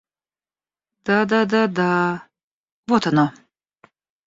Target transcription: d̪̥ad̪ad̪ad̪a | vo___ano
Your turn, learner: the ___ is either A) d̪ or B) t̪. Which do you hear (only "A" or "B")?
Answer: B